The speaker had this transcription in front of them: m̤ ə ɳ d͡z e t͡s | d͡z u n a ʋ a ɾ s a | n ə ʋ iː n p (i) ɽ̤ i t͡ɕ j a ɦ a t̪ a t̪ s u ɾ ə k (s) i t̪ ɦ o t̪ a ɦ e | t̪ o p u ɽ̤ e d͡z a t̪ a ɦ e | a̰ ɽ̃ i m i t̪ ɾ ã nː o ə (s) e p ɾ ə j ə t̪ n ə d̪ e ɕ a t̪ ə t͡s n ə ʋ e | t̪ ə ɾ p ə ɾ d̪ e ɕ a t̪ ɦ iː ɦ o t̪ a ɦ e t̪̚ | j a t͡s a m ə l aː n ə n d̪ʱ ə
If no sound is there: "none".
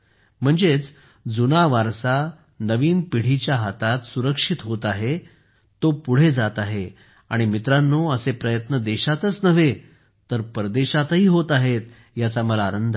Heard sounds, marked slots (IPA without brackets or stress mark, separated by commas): i, ʂ, s